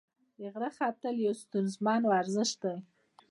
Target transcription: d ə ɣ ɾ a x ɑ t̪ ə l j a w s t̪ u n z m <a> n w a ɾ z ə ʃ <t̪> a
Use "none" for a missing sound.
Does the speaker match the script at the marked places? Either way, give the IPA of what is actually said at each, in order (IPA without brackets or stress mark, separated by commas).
ɑ, d̪